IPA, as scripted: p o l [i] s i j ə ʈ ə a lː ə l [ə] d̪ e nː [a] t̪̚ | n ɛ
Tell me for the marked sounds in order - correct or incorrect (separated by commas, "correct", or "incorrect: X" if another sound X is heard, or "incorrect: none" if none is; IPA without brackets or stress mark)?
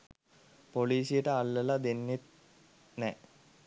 incorrect: iː, incorrect: a, incorrect: e